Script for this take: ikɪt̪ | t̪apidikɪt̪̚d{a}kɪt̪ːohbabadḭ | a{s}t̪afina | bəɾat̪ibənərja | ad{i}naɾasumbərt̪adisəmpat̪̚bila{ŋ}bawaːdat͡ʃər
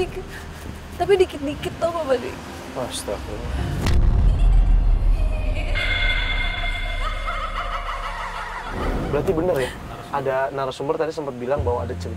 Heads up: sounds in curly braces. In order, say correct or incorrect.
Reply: incorrect: i, correct, incorrect: a, correct

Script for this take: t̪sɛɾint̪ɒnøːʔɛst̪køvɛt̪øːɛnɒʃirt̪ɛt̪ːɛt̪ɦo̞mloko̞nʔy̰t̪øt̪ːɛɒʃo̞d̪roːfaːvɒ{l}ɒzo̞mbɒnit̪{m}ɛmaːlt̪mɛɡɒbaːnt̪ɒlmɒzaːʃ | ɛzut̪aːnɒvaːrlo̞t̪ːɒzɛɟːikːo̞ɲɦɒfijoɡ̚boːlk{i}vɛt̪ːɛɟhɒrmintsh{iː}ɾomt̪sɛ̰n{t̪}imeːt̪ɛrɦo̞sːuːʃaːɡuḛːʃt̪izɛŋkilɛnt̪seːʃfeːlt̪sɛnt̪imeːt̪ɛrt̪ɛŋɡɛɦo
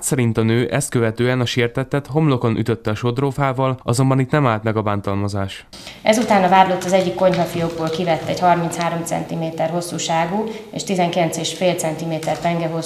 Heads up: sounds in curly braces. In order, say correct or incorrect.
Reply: correct, incorrect: n, correct, incorrect: aː, correct

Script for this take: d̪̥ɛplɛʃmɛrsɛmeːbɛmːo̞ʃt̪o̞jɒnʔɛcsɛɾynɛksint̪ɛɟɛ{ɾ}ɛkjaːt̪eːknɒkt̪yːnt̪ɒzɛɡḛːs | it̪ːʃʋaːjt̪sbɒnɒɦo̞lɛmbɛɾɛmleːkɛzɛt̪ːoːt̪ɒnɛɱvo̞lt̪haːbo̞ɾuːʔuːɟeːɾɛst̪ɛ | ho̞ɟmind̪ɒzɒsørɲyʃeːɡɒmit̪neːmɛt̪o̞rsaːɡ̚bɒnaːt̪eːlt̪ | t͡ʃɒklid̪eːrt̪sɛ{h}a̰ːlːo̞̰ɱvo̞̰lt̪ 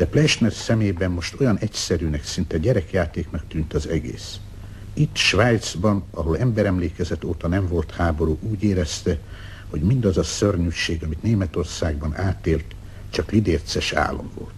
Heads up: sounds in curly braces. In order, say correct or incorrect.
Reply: correct, incorrect: ʃ

